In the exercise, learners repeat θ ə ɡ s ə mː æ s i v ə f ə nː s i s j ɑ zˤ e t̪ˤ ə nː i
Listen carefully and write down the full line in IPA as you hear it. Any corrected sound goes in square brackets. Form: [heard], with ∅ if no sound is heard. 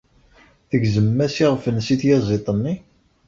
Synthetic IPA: θ ə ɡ [z] ə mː æ s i [ʁ] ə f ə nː s i [θ] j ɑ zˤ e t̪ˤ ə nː i

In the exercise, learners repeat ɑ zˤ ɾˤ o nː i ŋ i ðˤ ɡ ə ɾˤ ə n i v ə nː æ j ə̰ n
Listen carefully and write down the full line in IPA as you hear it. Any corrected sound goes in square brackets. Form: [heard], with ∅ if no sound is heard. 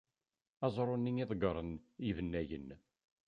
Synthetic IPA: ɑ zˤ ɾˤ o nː i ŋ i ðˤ ɡ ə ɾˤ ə n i v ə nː æ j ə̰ n

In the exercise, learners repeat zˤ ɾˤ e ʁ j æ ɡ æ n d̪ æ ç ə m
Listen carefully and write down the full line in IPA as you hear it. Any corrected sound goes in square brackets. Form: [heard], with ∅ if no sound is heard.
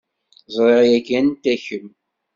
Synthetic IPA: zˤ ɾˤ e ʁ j æ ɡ æ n [t̪] æ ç ə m

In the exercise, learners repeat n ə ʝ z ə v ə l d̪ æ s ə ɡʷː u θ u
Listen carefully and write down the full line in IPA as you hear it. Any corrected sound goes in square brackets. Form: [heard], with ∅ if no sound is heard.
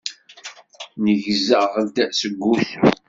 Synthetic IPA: n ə ʝ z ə [ʁ] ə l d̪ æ s ə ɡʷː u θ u

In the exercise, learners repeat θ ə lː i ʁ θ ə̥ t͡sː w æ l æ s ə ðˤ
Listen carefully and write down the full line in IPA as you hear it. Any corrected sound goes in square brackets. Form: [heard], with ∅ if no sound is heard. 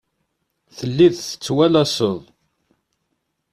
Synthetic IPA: θ ə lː i [ð] θ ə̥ t͡sː w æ l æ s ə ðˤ

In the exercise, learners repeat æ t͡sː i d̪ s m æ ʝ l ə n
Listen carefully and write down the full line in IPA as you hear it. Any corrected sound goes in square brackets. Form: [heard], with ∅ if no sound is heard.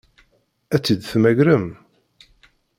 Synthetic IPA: æ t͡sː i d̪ [θ] m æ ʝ [ɾ] ə [m]

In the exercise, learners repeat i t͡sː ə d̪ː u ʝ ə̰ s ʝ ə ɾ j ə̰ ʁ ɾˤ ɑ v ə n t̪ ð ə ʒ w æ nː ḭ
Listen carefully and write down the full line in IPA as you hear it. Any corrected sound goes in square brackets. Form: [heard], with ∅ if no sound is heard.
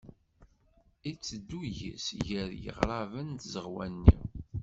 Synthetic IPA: i t͡sː ə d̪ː u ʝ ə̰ s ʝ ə ɾ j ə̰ ʁ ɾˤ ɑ v ə n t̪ [z] ə [ʁ] w æ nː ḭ

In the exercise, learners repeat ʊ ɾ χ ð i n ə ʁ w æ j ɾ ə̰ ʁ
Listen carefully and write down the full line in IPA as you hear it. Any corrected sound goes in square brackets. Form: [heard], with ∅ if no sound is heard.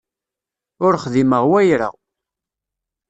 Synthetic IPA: ʊ ɾ χ ð i [m] ə ʁ w æ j ɾ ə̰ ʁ

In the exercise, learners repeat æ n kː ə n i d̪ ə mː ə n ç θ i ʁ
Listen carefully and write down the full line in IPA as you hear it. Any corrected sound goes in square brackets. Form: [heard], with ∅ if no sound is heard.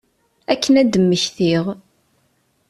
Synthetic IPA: æ [∅] kː ə n [æ] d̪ ə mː ə [∅] ç θ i ʁ

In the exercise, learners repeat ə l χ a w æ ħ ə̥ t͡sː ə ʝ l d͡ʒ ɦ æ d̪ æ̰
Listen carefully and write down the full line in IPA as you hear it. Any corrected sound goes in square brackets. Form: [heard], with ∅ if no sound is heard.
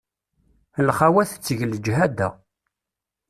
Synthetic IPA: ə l χ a w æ [θ] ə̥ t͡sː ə ʝ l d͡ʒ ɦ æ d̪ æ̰

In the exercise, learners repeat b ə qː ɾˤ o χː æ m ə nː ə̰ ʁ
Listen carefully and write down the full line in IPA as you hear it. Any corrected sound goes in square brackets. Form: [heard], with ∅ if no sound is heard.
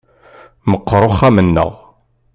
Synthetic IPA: [m] ə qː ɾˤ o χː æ m ə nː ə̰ ʁ

